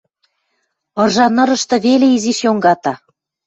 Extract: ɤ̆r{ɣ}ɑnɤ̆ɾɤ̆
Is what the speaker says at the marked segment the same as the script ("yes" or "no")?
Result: no